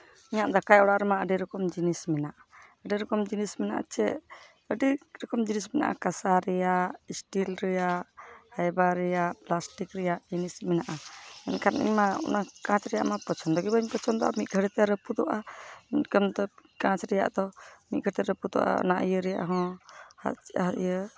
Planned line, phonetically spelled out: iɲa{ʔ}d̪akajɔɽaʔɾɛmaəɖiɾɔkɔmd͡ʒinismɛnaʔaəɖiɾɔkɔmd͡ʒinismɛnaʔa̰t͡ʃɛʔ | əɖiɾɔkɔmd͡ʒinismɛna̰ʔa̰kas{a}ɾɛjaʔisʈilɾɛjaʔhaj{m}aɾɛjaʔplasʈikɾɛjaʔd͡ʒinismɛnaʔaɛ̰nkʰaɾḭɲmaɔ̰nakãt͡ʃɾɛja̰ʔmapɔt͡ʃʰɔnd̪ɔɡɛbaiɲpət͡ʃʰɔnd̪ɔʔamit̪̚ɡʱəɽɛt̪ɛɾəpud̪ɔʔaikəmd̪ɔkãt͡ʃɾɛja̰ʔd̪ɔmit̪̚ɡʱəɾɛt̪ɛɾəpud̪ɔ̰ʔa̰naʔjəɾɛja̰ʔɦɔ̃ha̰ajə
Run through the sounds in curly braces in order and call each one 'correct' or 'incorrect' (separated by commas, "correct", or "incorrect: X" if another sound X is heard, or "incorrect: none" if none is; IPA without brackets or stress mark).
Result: correct, correct, incorrect: b